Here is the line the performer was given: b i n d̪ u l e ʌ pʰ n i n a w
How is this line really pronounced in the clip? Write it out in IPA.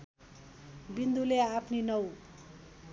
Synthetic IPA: b i n d̪ u l e a pʰ n i n ʌ w